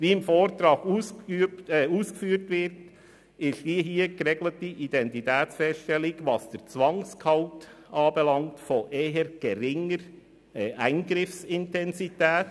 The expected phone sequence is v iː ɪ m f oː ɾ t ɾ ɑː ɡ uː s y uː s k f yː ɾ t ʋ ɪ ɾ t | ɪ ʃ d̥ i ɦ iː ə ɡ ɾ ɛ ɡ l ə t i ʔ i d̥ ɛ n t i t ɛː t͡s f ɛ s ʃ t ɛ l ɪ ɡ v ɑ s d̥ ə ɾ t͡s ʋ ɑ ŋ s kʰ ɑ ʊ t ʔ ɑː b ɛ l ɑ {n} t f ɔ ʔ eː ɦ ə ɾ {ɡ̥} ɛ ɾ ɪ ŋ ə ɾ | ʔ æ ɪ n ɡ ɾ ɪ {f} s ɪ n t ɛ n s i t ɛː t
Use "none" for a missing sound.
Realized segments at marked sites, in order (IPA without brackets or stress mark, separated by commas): ŋ, ɡ̥, f